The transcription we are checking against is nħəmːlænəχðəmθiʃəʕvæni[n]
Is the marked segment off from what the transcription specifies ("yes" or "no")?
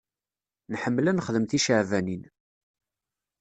no